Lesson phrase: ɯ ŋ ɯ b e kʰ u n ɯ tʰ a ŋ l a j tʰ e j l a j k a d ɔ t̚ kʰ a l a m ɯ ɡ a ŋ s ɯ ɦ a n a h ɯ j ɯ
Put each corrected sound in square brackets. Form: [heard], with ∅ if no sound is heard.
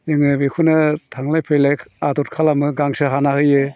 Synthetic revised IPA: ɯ ŋ ɯ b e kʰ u n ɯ tʰ a ŋ l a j [pʰ] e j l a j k a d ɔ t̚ kʰ a l a m ɯ ɡ a ŋ s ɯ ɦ a n a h ɯ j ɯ